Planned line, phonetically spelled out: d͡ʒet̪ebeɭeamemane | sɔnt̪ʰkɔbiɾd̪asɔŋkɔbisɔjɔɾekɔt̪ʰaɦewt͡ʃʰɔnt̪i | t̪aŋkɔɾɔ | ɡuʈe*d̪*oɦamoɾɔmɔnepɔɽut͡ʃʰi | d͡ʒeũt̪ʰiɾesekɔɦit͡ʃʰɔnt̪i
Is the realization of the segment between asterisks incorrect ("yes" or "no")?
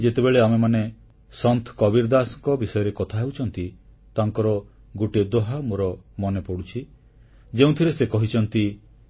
no